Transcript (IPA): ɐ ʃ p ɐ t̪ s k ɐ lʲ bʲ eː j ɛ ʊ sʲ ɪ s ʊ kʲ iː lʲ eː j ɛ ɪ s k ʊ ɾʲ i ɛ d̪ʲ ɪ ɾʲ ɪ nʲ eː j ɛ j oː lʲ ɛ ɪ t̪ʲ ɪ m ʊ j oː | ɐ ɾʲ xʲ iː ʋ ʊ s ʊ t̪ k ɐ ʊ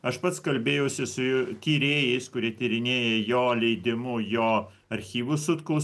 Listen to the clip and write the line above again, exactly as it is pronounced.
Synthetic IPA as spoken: ɐ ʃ p ɐ t̪ s k ɐ lʲ bʲ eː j ɛ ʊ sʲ ɪ s ʊ kʲ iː ɾʲ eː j ɛ ɪ s k ʊ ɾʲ i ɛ t̪ʲ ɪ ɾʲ ɪ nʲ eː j ɛ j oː lʲ ɛ ɪ d̪ʲ ɪ m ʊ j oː | ɐ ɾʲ xʲ iː ʋ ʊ s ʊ t̪ k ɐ ʊ

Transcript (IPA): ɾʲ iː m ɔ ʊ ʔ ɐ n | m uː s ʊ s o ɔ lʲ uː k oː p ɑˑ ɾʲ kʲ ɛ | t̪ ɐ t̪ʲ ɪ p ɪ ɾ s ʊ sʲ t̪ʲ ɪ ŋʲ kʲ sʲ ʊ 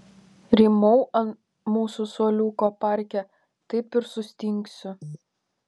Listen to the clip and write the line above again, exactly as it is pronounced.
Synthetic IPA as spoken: ɾʲ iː m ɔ ʊ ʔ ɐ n | m uː s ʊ s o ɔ lʲ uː k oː p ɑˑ ɾʲ kʲ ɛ | t̪ ɐ ɪ p ɪ ɾ s ʊ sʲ t̪ʲ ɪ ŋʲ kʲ sʲ ʊ

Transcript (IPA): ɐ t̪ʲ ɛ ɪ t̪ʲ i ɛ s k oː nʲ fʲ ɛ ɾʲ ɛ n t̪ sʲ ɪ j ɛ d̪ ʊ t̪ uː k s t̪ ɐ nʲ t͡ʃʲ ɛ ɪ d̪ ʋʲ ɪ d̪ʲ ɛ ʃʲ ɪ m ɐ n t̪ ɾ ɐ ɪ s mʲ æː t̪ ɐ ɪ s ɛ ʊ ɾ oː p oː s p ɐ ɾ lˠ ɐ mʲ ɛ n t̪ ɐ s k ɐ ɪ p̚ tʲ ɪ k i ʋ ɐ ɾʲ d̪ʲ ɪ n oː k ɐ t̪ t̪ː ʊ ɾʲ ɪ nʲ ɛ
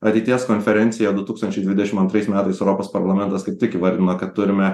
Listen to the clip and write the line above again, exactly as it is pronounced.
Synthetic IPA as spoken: ɐ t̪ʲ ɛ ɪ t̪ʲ i ɛ s k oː nʲ fʲ ɛ ɾʲ ɛ n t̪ sʲ ɪ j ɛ d̪ ʊ t̪ uː k s t̪ ɐ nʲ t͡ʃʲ ɛ ɪ d̪ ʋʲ ɪ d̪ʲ ɛ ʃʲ ɪ m ɐ n t̪ ɾ ɐ ɪ s mʲ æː t̪ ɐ ɪ s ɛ ʊ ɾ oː p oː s p ɐ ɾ lˠ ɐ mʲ ɛ n t̪ ɐ s k ɐ ɪ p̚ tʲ ɪ k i ʋ ɐ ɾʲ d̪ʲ ɪ n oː k ɐ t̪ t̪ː ʊ ɾʲ ɪ mʲ ɛ

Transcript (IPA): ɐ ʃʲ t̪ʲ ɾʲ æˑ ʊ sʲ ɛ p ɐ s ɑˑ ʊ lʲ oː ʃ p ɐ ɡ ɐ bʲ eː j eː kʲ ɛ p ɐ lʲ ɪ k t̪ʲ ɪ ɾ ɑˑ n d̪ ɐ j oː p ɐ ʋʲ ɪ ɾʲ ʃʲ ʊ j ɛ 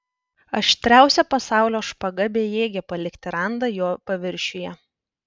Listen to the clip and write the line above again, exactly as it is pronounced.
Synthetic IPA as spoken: ɐ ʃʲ t̪ʲ ɾʲ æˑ ʊ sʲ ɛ p ɐ s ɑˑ ʊ lʲ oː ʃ p ɐ ɡ ɐ bʲ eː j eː ɡʲ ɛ p ɐ lʲ ɪ k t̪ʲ ɪ ɾ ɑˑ n d̪ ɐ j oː p ɐ ʋʲ ɪ ɾʲ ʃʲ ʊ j ɛ

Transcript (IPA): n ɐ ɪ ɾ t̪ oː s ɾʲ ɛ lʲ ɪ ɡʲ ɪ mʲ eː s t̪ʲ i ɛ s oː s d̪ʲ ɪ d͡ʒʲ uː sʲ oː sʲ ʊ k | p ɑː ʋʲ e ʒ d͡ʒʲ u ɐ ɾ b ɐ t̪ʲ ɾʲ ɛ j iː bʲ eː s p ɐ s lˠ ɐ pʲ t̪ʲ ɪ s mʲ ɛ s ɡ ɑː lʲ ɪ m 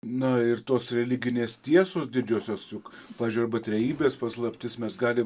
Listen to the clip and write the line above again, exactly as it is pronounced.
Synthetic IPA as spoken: n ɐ ɪ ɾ t̪ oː s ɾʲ ɛ lʲ ɪ ɡʲ ɪ nʲ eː s t̪ʲ i ɛ s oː s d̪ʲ ɪ d͡ʒʲ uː sʲ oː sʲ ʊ k | p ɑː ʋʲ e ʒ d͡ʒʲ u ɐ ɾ b ɐ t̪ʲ ɾʲ ɛ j iː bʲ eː s p ɐ s lˠ ɐ pʲ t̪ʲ ɪ s mʲ ɛ s ɡ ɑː lʲ ɪ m

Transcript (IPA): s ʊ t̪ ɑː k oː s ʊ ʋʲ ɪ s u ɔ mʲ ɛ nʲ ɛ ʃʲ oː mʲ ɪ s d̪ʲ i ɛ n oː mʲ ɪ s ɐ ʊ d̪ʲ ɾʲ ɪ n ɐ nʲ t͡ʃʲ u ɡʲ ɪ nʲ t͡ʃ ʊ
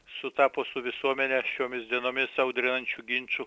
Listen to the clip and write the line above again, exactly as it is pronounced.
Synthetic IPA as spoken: s ʊ t̪ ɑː p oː s ʊ ʋʲ ɪ s u ɔ mʲ ɛ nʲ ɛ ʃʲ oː mʲ ɪ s d̪ʲ i ɛ n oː mʲ ɪ s ɐ ʊ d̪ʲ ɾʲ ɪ n ɐ nʲ t͡ʃʲ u ɡʲ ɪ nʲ t͡ʃ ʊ

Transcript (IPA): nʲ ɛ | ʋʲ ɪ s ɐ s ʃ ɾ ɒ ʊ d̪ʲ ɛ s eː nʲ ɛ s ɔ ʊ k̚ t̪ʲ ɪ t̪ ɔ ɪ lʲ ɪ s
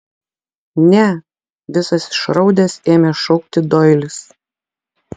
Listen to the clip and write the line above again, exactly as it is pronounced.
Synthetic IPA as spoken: nʲ ɛ | ʋʲ ɪ s ɐ s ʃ ɾ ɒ ʊ d̪ʲ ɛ s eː mʲ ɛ ʃ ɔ ʊ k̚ t̪ʲ ɪ d̪ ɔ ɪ lʲ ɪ s

